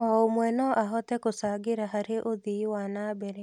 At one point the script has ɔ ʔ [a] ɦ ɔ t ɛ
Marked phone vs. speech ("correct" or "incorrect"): correct